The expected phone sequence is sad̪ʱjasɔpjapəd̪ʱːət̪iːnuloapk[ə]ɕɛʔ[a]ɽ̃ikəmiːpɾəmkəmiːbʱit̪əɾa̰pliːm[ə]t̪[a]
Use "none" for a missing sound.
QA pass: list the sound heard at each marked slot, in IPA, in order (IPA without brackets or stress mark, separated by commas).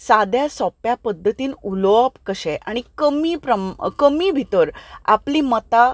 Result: ə, a, ə, a